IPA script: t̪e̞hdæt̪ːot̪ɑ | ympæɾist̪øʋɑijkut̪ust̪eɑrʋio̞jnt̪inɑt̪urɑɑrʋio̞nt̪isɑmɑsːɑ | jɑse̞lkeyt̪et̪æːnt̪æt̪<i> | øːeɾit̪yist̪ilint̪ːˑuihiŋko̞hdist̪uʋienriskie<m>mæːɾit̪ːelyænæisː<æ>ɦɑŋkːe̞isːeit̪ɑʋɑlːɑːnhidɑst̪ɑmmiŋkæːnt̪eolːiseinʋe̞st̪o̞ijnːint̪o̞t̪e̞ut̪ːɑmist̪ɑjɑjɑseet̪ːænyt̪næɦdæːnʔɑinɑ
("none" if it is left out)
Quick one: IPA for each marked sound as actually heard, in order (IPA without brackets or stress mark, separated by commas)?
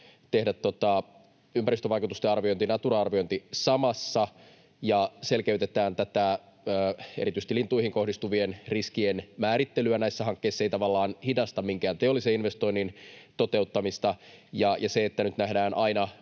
æ, n, æ